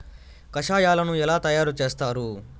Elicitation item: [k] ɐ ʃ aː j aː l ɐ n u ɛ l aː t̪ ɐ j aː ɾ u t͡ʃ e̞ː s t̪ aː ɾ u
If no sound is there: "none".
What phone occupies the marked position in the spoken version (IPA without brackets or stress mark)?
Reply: k